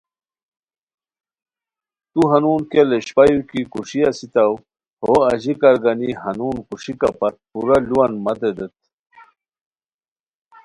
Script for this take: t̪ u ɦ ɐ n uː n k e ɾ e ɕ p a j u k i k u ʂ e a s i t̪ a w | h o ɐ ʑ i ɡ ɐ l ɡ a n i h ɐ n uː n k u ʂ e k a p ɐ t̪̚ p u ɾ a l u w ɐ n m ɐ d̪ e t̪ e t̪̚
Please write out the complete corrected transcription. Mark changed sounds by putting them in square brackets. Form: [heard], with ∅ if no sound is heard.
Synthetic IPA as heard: t̪ u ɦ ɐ n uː n k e [l] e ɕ p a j u k i k u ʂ [i] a s i t̪ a w | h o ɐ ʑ i [k] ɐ [ɾ] ɡ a n i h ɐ n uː n k u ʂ [i] k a p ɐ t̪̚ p u ɾ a l u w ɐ n m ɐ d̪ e [d̪] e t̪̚